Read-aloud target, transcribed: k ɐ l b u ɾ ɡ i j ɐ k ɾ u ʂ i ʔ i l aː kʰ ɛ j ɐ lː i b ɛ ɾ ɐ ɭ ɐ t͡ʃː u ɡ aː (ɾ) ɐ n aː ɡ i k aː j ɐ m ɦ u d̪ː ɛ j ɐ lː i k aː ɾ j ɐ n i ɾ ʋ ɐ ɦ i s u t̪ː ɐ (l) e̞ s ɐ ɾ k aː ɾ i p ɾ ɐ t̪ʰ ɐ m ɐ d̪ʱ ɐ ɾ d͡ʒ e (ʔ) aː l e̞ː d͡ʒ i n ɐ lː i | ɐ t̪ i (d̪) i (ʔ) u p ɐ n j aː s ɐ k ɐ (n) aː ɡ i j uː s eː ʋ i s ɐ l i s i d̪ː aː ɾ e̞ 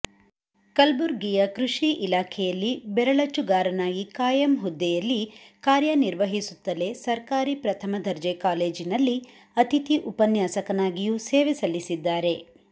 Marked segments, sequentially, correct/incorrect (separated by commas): correct, correct, incorrect, incorrect, correct, correct